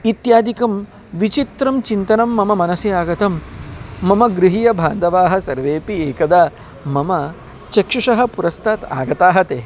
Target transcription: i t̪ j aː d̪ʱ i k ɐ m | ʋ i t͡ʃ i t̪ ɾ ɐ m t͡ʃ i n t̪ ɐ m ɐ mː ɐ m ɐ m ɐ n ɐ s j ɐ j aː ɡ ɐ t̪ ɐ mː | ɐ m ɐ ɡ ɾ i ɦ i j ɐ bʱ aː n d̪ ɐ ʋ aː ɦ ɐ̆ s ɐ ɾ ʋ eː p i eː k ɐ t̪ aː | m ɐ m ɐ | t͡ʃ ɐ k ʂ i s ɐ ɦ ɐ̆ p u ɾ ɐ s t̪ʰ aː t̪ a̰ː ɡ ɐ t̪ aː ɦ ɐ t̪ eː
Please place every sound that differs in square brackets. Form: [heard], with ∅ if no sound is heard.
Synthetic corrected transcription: i t̪ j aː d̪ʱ i k ɐ m | ʋ i t͡ʃ i t̪ ɾ ɐ m t͡ʃ i n t̪ ɐ [n] ɐ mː ɐ m ɐ m ɐ n ɐ s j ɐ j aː ɡ ɐ t̪ ɐ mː | ɐ m ɐ ɡ ɾ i ɦ i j ɐ bʱ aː n d̪ ɐ ʋ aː ɦ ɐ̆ s ɐ ɾ ʋ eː p i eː k ɐ [d̪] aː | m ɐ m ɐ | t͡ʃ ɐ k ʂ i [ʂ] ɐ ɦ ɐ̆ p u ɾ ɐ s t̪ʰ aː t̪ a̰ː ɡ ɐ t̪ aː ɦ ɐ t̪ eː